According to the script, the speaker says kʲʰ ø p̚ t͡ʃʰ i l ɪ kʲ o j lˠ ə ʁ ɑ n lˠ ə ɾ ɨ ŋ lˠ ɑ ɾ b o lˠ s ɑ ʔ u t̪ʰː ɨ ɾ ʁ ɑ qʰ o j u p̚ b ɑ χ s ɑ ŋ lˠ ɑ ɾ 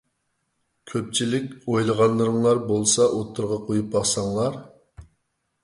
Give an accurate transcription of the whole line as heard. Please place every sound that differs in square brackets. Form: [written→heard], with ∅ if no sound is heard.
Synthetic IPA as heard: kʲʰ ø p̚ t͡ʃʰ i l ɪ kʲ o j lˠ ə ʁ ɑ n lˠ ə ɾ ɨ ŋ lˠ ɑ ɾ b o lˠ s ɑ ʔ [u→o] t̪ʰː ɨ ɾ ʁ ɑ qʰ o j u p̚ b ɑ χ s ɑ ŋ lˠ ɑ ɾ

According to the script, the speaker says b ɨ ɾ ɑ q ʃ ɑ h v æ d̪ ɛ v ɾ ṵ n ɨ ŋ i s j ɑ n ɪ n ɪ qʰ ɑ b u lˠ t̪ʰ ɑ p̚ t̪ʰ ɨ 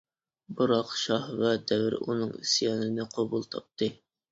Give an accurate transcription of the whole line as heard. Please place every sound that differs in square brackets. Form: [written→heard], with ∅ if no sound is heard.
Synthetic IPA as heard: b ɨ ɾ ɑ q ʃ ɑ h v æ d̪ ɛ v ɾ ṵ n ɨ ŋ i s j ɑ n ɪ n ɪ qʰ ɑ b u lˠ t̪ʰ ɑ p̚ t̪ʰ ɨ

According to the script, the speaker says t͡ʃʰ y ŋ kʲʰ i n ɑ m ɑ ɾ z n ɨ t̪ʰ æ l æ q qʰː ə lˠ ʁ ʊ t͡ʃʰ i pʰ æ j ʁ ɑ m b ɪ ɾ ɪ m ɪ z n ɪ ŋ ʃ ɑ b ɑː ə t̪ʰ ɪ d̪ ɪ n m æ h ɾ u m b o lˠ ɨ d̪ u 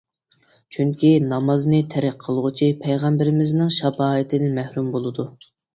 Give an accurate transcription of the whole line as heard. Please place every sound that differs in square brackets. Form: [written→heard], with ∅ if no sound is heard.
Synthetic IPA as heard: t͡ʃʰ y ŋ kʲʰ i n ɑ m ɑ [ɾ→∅] z n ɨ t̪ʰ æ [l→ɾ] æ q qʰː ə lˠ ʁ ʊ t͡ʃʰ i pʰ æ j ʁ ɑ m b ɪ ɾ ɪ m ɪ z n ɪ ŋ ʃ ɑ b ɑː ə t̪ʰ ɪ d̪ ɪ n m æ h ɾ u m b o lˠ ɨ d̪ u

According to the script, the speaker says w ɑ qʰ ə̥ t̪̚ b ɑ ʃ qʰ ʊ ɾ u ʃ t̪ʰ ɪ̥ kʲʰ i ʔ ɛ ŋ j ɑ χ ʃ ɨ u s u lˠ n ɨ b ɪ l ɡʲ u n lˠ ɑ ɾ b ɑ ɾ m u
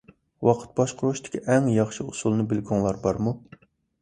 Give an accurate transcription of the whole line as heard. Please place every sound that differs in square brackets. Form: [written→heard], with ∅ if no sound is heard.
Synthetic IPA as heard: w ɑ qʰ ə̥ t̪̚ b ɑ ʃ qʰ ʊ ɾ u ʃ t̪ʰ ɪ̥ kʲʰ i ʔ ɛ ŋ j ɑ χ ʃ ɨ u s u lˠ n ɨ b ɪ l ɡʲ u [n→ŋ] lˠ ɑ ɾ b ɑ ɾ m u

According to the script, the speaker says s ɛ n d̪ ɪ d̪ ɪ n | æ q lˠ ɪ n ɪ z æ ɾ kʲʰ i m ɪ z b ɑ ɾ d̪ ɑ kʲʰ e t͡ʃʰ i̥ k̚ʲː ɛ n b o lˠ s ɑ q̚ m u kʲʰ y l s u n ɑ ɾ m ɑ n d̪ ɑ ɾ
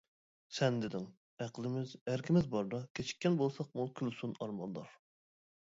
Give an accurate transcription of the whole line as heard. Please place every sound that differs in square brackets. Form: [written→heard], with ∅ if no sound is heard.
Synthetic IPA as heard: s ɛ n d̪ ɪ d̪ ɪ [n→ŋ] | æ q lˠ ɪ [n→m] ɪ z æ ɾ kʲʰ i m ɪ z b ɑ ɾ d̪ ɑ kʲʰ e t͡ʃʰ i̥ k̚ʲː ɛ n b o lˠ s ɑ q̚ m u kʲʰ y l s u n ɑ ɾ m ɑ n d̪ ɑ ɾ

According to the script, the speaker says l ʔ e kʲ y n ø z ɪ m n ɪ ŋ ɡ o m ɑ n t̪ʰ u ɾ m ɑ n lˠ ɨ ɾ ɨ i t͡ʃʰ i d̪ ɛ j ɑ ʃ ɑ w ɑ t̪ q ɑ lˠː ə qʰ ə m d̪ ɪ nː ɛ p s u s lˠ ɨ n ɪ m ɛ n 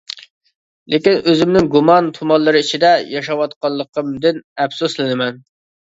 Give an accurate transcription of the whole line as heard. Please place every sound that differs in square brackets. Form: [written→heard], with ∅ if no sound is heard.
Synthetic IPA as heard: l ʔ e kʲ [y→i] n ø z ɪ m n ɪ ŋ ɡ [o→u] m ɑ n t̪ʰ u [ɾ→∅] m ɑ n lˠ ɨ ɾ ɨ i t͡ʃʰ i d̪ ɛ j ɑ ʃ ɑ w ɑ t̪ q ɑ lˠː ə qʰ ə m d̪ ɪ [nː→n] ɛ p s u s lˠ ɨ n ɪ m ɛ n

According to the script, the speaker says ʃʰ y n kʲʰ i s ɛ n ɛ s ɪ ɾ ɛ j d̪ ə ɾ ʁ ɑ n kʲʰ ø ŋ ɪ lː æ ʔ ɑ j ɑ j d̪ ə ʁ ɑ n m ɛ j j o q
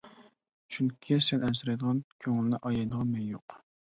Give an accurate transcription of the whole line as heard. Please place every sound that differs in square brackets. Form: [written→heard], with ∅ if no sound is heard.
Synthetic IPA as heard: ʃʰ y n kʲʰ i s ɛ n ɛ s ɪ ɾ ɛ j d̪ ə [ɾ→∅] ʁ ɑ n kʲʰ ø ŋ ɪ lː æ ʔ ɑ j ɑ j d̪ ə ʁ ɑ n m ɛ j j o q

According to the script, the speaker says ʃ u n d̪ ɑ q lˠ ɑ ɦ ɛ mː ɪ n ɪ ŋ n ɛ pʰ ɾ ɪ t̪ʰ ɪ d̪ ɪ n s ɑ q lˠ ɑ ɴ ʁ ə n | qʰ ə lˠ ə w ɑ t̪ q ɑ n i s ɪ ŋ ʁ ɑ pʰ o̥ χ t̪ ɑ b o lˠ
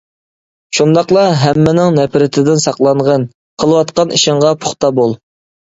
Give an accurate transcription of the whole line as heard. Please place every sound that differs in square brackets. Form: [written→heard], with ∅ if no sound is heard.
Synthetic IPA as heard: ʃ u n d̪ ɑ q lˠ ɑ ɦ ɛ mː ɪ n ɪ ŋ n ɛ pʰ ɾ ɪ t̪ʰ ɪ d̪ ɪ n s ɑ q lˠ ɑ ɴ ʁ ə n | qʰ ə lˠ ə w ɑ t̪ q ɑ n i [s→ʃ] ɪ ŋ ʁ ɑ pʰ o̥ χ t̪ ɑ b o lˠ

